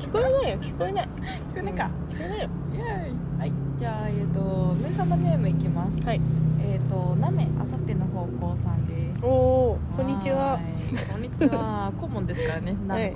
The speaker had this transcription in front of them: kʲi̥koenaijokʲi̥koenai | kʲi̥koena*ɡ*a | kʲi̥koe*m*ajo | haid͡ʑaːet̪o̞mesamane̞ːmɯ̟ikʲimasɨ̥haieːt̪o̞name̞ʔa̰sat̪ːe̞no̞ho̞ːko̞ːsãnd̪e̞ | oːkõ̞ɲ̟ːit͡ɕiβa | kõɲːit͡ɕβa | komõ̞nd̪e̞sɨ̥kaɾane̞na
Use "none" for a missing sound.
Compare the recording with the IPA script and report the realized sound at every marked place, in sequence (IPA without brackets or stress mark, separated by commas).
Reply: k, n